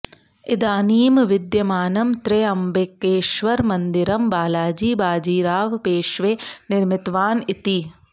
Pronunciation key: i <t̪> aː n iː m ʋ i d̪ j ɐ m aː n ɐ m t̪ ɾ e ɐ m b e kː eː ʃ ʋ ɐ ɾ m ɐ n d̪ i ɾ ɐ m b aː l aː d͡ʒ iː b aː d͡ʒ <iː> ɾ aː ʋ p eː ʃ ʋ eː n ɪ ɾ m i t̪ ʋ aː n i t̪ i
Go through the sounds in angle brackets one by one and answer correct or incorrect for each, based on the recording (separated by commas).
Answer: incorrect, correct